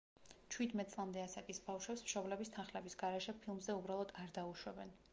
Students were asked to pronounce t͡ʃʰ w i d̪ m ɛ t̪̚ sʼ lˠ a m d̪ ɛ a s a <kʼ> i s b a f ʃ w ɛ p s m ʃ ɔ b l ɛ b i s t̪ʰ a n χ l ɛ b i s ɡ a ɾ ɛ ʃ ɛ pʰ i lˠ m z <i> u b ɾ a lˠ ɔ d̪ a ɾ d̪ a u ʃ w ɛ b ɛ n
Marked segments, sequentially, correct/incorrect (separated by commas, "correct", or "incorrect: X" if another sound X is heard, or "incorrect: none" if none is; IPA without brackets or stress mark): correct, incorrect: ɛ